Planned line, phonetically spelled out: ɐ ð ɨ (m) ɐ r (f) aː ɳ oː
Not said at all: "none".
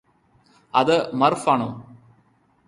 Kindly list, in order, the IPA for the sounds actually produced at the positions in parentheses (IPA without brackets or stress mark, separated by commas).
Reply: m, f